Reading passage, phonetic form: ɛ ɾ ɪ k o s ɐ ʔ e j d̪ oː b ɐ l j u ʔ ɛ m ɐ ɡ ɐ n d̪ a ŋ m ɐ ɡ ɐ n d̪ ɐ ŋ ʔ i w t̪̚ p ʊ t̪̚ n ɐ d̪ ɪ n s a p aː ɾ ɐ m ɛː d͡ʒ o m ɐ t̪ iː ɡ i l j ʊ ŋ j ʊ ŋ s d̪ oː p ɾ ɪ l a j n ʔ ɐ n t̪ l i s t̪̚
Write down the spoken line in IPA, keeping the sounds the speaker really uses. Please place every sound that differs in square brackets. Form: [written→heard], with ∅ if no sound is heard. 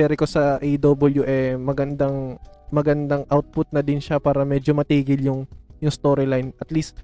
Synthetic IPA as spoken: ɛ ɾ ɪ k o s ɐ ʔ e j d̪ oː b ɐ l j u ʔ ɛ m ɐ ɡ ɐ n d̪ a ŋ m ɐ ɡ ɐ n d̪ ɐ ŋ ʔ [i→a] w t̪̚ p ʊ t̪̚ n ɐ d̪ ɪ n [s→ʃ] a p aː ɾ ɐ m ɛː d͡ʒ o m ɐ t̪ iː ɡ [i→ɪ] l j ʊ ŋ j ʊ ŋ s [d̪→t̪] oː [p→∅] ɾ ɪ l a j n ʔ ɐ [n→∅] t̪ l i s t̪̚